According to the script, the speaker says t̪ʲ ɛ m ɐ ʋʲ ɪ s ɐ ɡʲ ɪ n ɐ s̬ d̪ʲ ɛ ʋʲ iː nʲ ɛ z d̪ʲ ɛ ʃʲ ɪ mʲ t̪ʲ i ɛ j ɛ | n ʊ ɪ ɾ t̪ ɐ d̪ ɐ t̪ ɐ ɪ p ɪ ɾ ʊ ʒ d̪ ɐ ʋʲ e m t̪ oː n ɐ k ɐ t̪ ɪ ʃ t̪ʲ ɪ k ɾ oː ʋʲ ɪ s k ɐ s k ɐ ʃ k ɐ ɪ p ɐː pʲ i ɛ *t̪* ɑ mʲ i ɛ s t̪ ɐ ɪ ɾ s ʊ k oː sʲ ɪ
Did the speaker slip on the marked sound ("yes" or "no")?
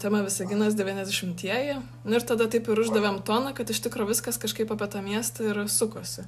no